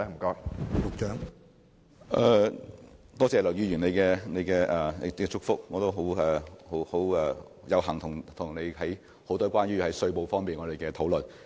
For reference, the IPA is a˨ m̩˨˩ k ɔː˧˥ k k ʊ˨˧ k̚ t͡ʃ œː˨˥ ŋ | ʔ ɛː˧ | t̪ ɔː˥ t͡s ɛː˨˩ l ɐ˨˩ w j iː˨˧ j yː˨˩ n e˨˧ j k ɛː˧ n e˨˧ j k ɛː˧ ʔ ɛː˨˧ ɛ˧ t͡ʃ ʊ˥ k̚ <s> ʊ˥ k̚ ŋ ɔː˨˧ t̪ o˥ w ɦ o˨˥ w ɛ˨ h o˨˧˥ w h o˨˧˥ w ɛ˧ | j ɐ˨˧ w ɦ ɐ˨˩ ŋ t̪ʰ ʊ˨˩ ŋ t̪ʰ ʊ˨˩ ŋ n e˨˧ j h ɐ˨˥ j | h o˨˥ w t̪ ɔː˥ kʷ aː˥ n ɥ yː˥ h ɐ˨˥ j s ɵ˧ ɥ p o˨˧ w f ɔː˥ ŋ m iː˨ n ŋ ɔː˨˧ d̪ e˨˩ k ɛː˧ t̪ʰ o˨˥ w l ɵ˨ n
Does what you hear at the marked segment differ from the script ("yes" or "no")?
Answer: yes